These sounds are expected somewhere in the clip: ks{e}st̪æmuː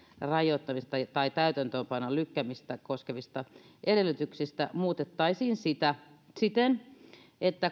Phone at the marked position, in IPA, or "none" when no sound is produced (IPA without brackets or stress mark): i